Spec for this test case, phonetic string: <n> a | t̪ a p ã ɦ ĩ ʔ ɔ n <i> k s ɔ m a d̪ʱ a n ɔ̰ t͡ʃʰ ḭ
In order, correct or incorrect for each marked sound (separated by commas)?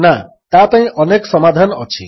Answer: correct, incorrect